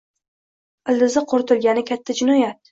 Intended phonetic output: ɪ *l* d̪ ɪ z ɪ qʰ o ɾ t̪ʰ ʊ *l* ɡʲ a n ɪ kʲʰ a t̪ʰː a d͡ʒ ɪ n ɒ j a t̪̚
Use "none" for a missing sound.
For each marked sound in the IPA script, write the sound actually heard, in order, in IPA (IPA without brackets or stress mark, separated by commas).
l, l